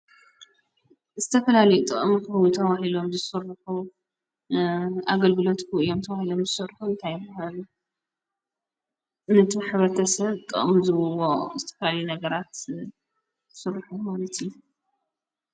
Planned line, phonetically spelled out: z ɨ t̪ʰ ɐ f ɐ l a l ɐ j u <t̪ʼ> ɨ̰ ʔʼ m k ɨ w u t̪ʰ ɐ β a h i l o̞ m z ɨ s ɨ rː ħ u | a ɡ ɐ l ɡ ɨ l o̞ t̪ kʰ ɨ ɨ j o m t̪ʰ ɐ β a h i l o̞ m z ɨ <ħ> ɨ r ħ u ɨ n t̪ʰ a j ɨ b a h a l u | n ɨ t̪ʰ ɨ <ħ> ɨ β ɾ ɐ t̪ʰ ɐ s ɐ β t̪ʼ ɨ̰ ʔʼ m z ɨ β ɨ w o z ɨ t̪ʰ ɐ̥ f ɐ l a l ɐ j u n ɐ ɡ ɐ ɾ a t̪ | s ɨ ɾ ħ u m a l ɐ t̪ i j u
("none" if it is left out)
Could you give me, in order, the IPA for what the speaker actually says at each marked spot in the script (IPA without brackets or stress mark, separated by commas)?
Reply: t̪ʼ, s, ħ